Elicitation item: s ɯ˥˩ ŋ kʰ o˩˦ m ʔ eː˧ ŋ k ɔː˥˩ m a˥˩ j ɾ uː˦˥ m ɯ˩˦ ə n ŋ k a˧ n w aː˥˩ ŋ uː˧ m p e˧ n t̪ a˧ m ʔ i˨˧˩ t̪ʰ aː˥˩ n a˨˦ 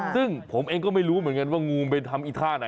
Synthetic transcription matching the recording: s ɯ˥˩ ŋ pʰ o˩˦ m ʔ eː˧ ŋ k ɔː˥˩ m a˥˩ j ɾ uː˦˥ m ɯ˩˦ ə n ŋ k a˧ n w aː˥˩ ŋ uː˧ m p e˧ n t̪ʰ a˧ m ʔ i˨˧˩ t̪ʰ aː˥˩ n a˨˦